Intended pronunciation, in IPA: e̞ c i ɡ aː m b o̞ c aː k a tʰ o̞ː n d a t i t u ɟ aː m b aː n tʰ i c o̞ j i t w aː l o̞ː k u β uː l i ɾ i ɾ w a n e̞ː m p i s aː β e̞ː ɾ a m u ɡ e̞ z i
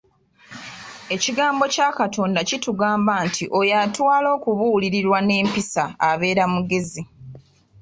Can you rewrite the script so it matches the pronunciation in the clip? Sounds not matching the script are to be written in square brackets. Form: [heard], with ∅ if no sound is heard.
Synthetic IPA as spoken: e̞ c i ɡ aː m b o̞ c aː k a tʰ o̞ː n d a [c] i t u [ɡ] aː m b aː n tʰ i [ʔ] o̞ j [a] t w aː l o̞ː k u β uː l i ɾ i ɾ w a n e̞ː m p i s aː β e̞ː ɾ a m u ɡ e̞ z i